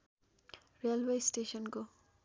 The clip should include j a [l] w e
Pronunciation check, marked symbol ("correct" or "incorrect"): correct